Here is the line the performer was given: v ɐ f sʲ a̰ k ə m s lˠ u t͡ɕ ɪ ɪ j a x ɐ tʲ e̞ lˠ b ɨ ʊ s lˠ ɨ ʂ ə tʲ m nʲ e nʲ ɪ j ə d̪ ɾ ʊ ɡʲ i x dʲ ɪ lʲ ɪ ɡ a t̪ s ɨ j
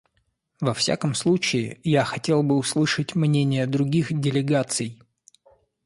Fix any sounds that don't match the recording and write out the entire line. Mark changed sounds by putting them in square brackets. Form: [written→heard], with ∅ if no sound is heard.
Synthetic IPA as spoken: v ɐ f sʲ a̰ k ə m s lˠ u t͡ɕ ɪ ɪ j a x ɐ tʲ e̞ lˠ b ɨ ʊ s lˠ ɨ ʂ ə tʲ m nʲ e nʲ ɪ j ə d̪ ɾ ʊ ɡʲ i x dʲ ɪ lʲ ɪ ɡ a t̪ s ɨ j